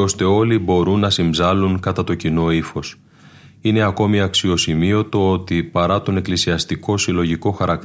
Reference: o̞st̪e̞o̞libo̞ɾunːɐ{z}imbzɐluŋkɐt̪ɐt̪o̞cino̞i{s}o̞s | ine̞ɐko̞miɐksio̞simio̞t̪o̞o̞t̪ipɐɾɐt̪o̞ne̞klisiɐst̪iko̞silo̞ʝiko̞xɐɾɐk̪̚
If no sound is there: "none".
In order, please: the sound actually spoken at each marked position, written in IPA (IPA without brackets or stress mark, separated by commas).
s, f